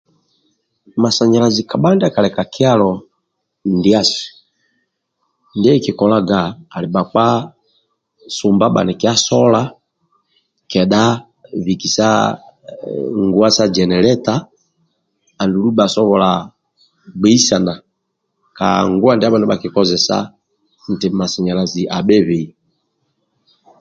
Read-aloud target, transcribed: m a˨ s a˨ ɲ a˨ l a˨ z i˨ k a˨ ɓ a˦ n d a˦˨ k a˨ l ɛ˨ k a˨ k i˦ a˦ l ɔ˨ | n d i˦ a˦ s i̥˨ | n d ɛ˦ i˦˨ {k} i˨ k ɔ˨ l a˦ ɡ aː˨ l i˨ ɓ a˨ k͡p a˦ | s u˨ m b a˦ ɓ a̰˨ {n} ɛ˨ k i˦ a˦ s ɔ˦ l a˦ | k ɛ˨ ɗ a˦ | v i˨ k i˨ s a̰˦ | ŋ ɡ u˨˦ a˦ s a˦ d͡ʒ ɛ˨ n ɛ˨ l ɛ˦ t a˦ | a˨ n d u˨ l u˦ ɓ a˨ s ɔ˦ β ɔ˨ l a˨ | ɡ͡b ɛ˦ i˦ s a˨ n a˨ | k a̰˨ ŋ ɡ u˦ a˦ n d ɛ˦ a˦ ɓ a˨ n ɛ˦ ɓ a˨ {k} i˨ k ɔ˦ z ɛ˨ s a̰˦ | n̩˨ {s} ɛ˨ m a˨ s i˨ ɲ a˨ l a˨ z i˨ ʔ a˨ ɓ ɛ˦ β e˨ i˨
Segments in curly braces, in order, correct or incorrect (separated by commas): correct, correct, correct, incorrect